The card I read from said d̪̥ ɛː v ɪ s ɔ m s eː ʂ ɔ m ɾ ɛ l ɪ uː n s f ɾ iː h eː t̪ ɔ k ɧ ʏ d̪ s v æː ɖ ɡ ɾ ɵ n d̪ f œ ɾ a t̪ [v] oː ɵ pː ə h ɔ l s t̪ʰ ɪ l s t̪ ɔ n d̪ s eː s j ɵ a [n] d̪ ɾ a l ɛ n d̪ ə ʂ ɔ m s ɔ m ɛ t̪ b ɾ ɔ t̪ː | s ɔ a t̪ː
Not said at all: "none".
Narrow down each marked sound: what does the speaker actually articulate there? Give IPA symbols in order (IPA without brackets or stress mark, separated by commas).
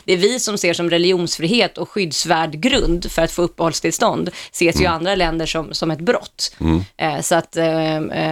f, n